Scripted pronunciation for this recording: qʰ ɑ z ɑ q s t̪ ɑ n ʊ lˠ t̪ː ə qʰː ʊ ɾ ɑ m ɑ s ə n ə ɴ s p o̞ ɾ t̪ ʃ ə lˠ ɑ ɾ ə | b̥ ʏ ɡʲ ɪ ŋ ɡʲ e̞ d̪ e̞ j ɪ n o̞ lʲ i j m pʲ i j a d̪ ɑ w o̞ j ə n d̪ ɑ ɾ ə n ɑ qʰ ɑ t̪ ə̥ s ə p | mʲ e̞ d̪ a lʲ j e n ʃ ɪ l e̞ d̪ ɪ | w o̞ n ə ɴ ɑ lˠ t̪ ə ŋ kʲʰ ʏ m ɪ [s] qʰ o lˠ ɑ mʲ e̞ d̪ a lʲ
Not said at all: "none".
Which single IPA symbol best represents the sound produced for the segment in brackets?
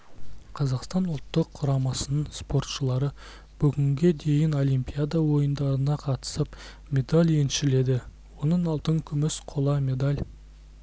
s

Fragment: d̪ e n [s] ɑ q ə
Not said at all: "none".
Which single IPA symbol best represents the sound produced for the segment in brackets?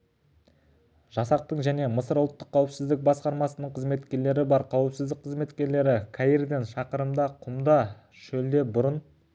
ʃ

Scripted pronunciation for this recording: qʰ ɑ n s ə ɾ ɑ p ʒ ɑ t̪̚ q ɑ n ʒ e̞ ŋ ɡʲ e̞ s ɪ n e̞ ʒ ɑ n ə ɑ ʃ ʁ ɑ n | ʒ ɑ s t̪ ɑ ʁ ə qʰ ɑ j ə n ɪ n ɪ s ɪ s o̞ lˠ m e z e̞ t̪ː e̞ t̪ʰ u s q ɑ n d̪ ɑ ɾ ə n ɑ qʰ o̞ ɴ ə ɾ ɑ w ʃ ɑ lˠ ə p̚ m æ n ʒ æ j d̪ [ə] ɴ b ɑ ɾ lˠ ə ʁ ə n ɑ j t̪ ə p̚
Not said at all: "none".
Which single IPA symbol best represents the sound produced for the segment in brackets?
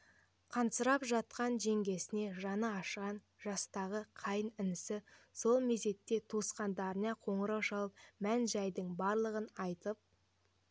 ə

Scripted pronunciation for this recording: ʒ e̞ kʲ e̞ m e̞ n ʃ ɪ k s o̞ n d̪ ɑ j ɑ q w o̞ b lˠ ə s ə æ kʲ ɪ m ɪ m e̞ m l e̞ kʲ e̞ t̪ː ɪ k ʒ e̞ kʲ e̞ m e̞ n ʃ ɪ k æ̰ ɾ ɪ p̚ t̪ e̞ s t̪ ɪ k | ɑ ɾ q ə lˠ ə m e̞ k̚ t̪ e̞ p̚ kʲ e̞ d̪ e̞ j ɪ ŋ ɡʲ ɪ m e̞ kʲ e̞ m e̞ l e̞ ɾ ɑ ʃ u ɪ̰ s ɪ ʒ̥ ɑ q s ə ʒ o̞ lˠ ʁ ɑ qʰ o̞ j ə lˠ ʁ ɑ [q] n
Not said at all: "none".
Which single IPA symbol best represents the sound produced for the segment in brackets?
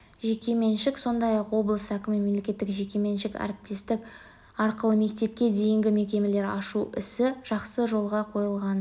none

